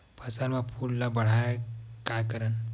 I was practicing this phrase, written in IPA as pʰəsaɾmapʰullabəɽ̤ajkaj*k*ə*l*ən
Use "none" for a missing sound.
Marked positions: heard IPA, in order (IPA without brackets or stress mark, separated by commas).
k, ɾ